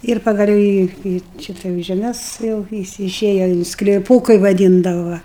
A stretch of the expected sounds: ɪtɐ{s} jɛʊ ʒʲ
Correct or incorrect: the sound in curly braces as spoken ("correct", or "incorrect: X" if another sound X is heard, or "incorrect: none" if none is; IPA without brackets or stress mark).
incorrect: none